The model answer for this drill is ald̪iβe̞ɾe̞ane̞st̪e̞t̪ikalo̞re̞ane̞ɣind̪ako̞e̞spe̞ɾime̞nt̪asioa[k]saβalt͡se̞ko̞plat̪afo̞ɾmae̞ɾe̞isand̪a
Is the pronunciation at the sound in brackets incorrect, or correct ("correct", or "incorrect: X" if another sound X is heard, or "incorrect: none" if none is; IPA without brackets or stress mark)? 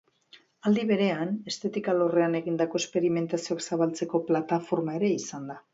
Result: correct